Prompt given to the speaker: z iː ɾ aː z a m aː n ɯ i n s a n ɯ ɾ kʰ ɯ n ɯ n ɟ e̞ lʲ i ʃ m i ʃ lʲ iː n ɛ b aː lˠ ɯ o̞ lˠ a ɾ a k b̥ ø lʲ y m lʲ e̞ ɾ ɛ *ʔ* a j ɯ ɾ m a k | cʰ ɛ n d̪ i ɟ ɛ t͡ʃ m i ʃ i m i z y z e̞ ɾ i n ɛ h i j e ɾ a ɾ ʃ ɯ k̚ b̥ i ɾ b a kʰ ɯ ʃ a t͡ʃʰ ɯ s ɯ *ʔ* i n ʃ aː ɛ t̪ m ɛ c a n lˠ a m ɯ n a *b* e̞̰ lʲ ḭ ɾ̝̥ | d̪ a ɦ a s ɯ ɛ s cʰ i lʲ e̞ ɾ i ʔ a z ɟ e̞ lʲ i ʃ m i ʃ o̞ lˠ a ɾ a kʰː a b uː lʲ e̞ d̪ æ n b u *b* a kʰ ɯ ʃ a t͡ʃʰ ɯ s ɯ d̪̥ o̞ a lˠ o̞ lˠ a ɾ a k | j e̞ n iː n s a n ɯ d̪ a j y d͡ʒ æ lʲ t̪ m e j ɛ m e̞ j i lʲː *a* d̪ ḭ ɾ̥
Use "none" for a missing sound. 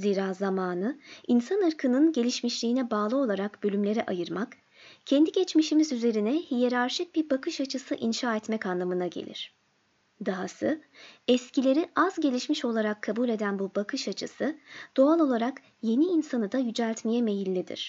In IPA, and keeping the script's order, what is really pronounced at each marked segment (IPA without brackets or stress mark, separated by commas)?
ʔ, ʔ, ɟ, b, i